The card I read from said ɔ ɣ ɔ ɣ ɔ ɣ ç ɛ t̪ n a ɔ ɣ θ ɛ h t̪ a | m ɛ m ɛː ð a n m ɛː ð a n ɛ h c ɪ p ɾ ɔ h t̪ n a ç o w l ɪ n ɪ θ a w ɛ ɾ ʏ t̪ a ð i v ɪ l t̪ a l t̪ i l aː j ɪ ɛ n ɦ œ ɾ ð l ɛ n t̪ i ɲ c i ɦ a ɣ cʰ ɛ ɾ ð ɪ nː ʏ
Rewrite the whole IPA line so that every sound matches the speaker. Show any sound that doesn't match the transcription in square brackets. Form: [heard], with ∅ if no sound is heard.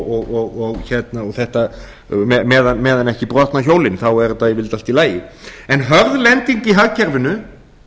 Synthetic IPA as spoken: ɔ ɣ ɔ ɣ ɔ ɣ ç ɛ t̪ n a ɔ ɣ θ ɛ h t̪ a | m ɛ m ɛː ð a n m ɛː ð a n ɛ h c ɪ p ɾ ɔ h t̪ n a ç o w l ɪ n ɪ θ a w ɛ ɾ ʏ t̪ a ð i v ɪ l t̪ a l t̪ i l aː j ɪ ɛ n ɦ œ ɾ ð l ɛ n t̪ i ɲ c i ɦ a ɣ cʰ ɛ ɾ [v] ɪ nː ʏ

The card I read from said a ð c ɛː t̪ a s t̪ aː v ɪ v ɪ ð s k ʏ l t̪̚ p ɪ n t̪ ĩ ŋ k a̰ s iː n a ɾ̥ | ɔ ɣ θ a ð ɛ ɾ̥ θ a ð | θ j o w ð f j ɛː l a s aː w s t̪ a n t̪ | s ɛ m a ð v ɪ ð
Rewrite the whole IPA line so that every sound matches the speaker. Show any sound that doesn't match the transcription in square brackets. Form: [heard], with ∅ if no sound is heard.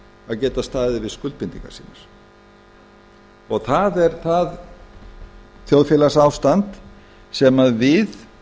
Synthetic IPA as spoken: a ð c ɛː t̪ a s t̪ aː [ð] ɪ v ɪ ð s k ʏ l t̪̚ p ɪ n t̪ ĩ ŋ k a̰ s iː n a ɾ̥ | ɔ ɣ θ a ð ɛ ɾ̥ θ a ð | θ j o w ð f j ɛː l a s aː w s t̪ a n t̪ | s ɛ m a ð v ɪ ð

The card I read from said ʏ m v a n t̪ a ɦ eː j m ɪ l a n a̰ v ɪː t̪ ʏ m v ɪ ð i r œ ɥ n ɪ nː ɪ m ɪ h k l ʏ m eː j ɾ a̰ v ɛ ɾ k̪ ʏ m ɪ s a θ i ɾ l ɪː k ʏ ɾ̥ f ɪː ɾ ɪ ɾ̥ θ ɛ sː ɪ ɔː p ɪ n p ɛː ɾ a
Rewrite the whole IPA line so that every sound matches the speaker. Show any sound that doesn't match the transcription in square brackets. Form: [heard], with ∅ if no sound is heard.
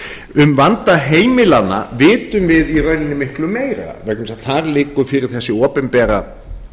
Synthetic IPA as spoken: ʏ m v a n t̪ a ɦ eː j m ɪ l a n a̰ v ɪː t̪ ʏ m v ɪ ð i r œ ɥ n ɪ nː ɪ m ɪ h k l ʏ m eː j ɾ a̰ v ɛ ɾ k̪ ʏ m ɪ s a θ [a] ɾ l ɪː k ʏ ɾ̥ f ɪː ɾ ɪ ɾ̥ θ ɛ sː ɪ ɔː p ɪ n p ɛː ɾ a

